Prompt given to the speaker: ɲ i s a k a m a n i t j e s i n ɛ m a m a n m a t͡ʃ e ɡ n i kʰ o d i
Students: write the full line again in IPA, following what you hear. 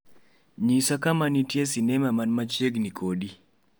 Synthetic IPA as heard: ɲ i s a k a m a n i t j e s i n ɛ m a m a n m a t͡ʃ e ɡ n i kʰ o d i